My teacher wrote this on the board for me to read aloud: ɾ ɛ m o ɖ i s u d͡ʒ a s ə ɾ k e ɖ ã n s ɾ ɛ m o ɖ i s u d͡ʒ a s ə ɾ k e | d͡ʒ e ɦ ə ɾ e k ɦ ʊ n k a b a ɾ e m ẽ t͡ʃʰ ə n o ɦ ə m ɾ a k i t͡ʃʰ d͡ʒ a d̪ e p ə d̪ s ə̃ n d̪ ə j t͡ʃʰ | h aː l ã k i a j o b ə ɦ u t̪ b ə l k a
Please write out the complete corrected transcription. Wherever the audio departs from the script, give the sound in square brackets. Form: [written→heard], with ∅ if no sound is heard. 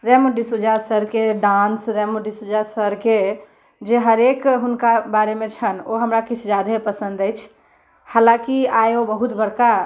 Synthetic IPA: ɾ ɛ m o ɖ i s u d͡ʒ a s ə ɾ k e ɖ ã n s ɾ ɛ m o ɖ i s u d͡ʒ a s ə ɾ k e | d͡ʒ e ɦ ə ɾ e k ɦ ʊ n k a b a ɾ e m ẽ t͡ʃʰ ə n o ɦ ə m ɾ a k i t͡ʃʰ d͡ʒ a d̪ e p ə [d̪→∅] s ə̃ n d̪ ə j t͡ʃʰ | h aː l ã k i a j o b ə ɦ u t̪ b ə [l→ɽ] k a